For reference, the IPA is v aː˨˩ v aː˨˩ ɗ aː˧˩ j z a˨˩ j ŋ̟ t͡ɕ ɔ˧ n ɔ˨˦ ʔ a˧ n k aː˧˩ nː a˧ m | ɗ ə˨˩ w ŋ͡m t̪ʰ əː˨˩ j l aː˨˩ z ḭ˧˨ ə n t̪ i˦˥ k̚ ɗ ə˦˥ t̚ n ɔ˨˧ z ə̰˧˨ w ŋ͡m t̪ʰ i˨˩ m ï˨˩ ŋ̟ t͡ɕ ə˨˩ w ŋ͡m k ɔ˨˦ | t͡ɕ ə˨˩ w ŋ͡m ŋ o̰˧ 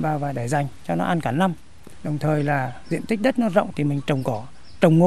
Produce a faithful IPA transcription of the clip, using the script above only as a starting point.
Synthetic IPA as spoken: v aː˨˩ v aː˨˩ ɗ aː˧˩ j z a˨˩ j ŋ̟ t͡ɕ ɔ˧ n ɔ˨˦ ʔ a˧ n k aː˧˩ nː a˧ m | ɗ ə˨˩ w ŋ͡m t̪ʰ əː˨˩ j l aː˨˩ z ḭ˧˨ ə n t̪ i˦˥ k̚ ɗ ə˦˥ t̚ n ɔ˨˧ z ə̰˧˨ w ŋ͡m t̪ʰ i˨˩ m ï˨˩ ŋ̟ t͡ɕ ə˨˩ w ŋ͡m k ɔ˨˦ | t͡ɕ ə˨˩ w ŋ͡m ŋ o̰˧